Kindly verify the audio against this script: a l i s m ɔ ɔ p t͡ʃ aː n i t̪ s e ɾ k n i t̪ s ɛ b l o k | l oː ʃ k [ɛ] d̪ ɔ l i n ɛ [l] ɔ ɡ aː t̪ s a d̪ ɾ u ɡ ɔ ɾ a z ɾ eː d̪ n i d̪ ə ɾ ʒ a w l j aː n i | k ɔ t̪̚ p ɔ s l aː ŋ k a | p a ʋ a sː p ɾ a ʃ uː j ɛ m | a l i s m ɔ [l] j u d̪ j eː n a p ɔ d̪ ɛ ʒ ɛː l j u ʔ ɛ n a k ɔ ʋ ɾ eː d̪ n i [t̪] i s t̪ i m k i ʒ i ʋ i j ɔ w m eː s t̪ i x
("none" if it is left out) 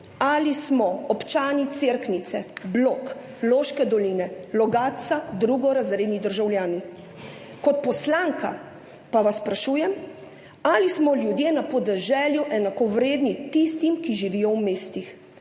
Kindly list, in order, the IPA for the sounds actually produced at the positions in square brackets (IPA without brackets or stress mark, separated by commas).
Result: ɛ, l, l, t̪